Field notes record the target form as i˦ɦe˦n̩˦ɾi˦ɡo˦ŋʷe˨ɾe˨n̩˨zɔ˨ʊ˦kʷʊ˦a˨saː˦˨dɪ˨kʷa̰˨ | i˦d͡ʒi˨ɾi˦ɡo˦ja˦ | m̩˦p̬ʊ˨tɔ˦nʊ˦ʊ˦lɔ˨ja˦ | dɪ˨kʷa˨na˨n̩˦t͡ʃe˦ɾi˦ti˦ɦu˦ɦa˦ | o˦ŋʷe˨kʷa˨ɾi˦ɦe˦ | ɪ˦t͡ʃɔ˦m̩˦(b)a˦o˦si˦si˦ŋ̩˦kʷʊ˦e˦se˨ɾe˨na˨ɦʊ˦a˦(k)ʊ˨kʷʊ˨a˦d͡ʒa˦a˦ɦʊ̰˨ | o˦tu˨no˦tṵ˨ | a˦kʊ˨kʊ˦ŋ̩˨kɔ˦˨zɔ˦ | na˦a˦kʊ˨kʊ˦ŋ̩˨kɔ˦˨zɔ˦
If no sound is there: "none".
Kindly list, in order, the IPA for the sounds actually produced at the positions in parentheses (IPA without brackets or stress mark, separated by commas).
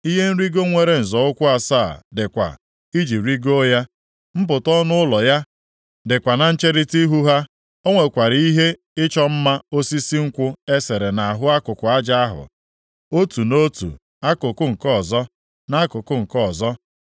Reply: m, k